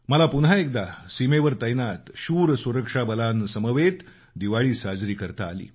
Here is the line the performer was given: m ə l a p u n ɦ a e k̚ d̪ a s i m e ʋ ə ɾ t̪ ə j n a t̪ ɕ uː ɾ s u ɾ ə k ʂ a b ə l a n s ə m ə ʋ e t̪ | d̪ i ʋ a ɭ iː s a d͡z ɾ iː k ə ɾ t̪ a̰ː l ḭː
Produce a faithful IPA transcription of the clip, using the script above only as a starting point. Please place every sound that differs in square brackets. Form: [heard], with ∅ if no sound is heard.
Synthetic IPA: m ə l a p u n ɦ a e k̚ d̪ a s i m e ʋ ə ɾ t̪ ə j n a t̪ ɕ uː ɾ s u ɾ ə k ʂ a b ə l a n s ə m ə ʋ e t̪ | d̪ i ʋ a ɭ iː s a d͡z ɾ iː k ə ɾ t̪ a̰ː l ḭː